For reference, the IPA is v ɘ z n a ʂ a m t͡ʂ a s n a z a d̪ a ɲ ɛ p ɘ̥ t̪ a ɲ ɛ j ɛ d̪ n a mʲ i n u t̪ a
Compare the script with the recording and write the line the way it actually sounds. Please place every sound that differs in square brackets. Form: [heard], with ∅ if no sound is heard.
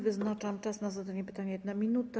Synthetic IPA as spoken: v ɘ z n a [t͡ʂ] a m t͡ʂ a s n a z a d̪ a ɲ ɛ p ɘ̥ t̪ a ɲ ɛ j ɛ d̪ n a mʲ i n u t̪ a

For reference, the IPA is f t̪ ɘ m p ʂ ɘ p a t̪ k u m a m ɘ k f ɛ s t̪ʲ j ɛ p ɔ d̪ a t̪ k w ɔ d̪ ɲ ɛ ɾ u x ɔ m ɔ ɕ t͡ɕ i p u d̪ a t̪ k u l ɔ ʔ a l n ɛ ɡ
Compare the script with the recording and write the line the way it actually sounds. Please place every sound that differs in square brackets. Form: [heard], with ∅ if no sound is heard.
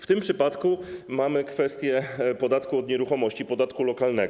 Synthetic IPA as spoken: f t̪ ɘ m p ʂ ɘ p a t̪ k u m a m ɘ k f ɛ s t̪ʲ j ɛ p ɔ d̪ a t̪ k [u] ɔ d̪ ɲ ɛ ɾ u x ɔ m ɔ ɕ t͡ɕ i p [ɔ] d̪ a t̪ k u l ɔ [k] a l n ɛ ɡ

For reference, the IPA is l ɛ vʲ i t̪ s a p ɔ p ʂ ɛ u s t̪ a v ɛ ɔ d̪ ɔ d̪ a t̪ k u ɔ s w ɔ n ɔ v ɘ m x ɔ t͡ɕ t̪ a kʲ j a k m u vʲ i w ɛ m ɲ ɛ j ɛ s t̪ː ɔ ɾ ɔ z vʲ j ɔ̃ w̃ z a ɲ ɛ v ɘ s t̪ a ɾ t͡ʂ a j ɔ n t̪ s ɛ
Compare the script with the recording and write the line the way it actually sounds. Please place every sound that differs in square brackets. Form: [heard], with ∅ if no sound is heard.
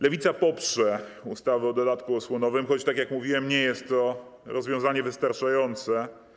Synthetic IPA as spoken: l ɛ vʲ i t̪ s a p ɔ p ʂ ɛ u s t̪ a v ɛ ɔ d̪ ɔ d̪ a t̪ k u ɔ s w ɔ n ɔ v ɘ m x ɔ t͡ɕ t̪ a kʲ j a k m u vʲ i w ɛ m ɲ ɛ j ɛ s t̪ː ɔ ɾ ɔ z vʲ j ɔ̃ w̃ z a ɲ ɛ v ɘ s t̪ a ɾ t͡ʂ a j ɔ n t̪ s ɛ

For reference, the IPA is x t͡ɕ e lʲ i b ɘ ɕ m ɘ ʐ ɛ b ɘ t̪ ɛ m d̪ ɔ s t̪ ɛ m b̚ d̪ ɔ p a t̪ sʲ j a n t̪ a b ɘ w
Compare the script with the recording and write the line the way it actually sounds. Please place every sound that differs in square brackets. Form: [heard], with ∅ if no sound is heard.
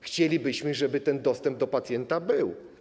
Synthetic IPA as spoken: x t͡ɕ e lʲ i b ɘ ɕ m ɘ ʐ ɛ b ɘ t̪ ɛ [n] d̪ ɔ s t̪ ɛ m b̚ d̪ ɔ p a t̪ sʲ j [ɛ] n t̪ a b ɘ w

